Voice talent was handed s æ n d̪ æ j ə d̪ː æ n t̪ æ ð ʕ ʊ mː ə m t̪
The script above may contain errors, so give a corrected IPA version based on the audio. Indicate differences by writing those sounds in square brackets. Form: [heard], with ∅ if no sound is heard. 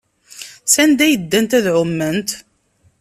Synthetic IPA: s æ n d̪ æ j ə d̪ː æ n t̪ æ ð ʕ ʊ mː ə [n] t̪